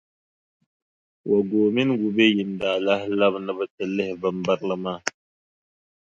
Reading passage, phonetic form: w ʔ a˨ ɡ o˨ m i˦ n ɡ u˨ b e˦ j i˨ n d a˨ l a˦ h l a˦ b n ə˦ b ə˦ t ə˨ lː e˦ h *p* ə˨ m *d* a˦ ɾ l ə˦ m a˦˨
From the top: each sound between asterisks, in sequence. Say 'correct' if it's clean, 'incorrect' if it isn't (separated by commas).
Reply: incorrect, incorrect